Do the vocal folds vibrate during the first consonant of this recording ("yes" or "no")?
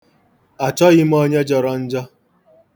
no